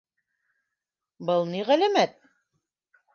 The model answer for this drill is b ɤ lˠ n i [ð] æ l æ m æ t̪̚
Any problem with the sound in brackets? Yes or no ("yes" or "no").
yes